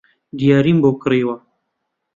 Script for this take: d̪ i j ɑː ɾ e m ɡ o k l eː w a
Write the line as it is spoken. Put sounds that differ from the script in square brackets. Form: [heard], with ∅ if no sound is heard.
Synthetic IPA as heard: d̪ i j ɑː ɾ [i] m [b] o k [ɾ] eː w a